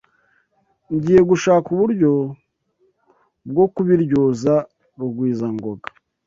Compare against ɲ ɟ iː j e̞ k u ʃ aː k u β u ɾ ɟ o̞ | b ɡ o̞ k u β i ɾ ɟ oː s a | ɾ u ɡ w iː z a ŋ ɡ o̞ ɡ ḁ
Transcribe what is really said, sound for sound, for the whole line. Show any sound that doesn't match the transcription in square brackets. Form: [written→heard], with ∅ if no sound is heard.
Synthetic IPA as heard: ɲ ɟ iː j e̞ [k→ɡ] u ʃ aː k u β u ɾ ɟ o̞ | b ɡ o̞ k u β i ɾ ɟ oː [s→z] a | ɾ u ɡ w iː z a ŋ ɡ o̞ ɡ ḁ